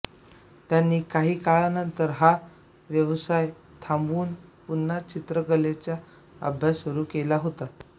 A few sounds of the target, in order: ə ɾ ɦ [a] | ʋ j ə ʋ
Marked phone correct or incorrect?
correct